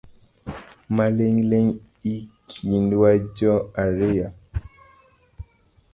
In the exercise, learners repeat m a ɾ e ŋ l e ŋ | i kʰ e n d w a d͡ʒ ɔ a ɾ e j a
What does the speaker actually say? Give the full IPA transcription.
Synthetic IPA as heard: m a l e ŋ l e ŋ | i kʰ i n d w a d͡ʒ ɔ a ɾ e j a